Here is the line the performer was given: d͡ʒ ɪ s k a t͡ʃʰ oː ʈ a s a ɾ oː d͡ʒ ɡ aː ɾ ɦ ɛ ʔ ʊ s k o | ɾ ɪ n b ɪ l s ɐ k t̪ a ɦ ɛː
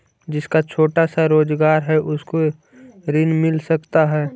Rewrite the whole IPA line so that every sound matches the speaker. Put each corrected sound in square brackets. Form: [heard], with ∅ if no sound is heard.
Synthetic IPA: d͡ʒ ɪ s k a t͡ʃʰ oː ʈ a s a ɾ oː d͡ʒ ɡ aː ɾ ɦ ɛ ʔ ʊ s k o | ɾ ɪ n [m] ɪ l s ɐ k t̪ a ɦ ɛː